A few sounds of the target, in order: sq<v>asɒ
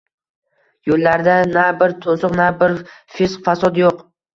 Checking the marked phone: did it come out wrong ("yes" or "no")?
yes